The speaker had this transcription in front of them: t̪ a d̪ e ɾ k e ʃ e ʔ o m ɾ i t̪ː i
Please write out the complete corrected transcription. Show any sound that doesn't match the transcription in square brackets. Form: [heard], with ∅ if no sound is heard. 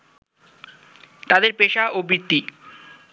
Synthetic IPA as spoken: t̪ a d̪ e ɾ [p] e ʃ [a] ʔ o [b] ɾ i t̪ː i